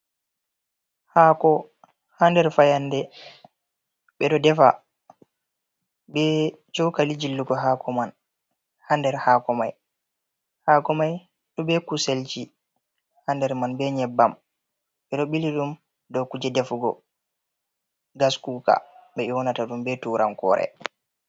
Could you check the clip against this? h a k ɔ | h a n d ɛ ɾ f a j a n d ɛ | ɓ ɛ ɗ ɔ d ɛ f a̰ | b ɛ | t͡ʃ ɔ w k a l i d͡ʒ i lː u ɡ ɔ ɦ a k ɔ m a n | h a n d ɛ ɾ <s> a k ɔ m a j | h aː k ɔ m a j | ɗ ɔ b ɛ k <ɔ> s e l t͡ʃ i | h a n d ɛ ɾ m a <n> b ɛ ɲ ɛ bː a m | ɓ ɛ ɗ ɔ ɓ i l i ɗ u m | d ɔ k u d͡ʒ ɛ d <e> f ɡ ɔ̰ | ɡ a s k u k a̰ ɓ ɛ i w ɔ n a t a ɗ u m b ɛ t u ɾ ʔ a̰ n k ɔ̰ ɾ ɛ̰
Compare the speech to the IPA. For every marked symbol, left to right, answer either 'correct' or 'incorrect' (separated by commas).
incorrect, incorrect, correct, incorrect